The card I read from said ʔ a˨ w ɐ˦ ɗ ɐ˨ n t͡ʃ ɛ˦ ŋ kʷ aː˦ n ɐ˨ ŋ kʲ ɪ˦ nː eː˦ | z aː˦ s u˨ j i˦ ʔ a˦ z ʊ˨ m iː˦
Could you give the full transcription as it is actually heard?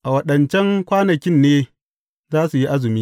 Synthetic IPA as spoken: ʔ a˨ w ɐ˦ ɗ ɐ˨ n t͡ʃ ɛ˦ ŋ kʷ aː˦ n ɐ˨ kʲ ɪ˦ nː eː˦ | z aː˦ s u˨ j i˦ ʔ a˦ z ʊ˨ m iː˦